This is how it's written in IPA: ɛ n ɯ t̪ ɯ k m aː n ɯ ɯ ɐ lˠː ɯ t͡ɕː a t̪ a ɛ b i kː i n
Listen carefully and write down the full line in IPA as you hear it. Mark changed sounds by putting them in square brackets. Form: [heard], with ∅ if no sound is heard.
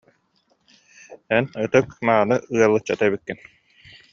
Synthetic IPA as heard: ɛ n ɯ t̪ ɯ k m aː n ɯ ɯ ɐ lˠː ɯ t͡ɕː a t̪ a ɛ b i kː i n